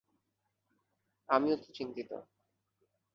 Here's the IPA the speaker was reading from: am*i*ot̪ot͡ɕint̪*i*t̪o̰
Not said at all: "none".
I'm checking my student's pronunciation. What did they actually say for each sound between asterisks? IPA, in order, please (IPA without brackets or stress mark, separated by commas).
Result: i, i